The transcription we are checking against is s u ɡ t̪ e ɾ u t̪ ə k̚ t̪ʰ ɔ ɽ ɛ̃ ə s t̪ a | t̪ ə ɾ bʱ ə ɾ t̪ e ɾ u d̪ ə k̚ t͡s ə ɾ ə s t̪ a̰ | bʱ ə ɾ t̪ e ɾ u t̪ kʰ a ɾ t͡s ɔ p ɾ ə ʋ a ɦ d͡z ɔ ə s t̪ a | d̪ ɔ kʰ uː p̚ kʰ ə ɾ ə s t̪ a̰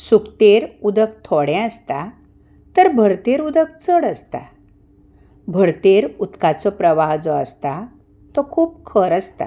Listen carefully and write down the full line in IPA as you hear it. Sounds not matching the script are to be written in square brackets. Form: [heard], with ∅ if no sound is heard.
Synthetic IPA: s u [k] t̪ e ɾ u [d̪] ə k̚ t̪ʰ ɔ ɽ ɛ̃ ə s t̪ a | t̪ ə ɾ bʱ ə ɾ t̪ e ɾ u d̪ ə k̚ t͡s ə [ɽ] ə s t̪ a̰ | bʱ ə ɾ t̪ e ɾ u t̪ [k] a [∅] t͡s ɔ p ɾ ə ʋ a ɦ d͡z ɔ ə s t̪ a | [t̪] ɔ kʰ uː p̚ kʰ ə ɾ ə s t̪ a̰

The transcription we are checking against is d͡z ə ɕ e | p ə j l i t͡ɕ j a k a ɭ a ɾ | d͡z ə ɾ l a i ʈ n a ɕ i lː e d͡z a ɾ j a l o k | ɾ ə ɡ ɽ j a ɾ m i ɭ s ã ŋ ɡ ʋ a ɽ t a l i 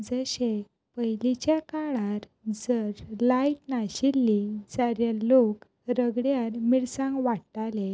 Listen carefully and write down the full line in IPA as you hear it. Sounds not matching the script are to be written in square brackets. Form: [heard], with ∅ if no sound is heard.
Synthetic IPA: d͡z ə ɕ e | p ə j l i t͡ɕ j a k a ɭ a ɾ | d͡z ə ɾ l a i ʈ n a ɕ i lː [i] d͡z a ɾ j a l o k | ɾ ə ɡ ɽ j a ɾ m i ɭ s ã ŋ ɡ ʋ a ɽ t a l [e]

